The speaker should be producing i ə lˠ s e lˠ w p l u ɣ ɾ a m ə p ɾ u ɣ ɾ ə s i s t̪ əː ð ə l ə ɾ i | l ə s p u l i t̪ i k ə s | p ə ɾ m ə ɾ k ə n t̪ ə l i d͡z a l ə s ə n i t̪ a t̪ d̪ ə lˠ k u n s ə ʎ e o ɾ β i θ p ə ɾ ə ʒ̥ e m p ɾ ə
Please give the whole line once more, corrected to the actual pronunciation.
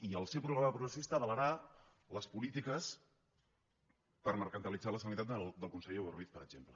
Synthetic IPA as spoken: i ə lˠ s e w p ɾ u ɣ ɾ a m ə p ɾ u ɣ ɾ ə s i s t̪ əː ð ə l ə ɾ a | l ə s p u l i t̪ i k ə s | p ə ɾ m ə ɾ k ə n t̪ ə l i d͡z a l ə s ə n i t̪ a t̪ d̪ ə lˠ k u n s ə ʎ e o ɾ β i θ p ə ɾ ə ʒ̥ e m p l ə

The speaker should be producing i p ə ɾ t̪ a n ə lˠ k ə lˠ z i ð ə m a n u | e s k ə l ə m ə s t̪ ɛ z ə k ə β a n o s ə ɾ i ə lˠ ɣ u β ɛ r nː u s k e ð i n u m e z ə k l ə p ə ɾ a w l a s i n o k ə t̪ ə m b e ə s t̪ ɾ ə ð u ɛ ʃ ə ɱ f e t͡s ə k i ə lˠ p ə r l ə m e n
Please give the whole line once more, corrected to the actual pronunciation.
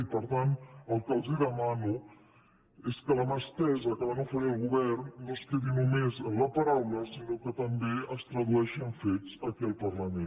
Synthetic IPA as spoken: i p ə ɾ t̪ a n ə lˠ k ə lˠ z i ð ə m a n u | e s k ə l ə m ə s t̪ ɛ z ə k ə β a n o f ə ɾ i ə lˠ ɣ u β ɛ r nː o s k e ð i n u m e z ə l ə p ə ɾ a w l ə s i n o k ə t̪ ə m b e ə s t̪ ɾ ə ð u ɛ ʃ ə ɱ f e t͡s ə k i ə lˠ p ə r l ə m e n

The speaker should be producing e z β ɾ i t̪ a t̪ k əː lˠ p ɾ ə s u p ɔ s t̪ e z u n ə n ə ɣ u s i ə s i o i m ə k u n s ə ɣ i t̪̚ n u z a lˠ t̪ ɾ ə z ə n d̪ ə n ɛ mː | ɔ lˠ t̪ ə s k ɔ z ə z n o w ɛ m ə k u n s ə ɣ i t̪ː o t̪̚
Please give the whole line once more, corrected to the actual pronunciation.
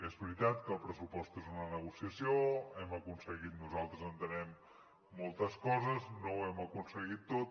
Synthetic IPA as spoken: e z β ɾ i t̪ a t̪ k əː lˠ p ɾ ə s u p ɔ s t̪ e z u n ə n ə ɣ u s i ə s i o ɛ m ə k u n s ə ɣ i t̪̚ n u z a lˠ t̪ ɾ ə z ə n t̪ ə n ɛ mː | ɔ lˠ t̪ ə s k ɔ z ə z n o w ɛ m ə k u n s ə ɣ i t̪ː o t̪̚

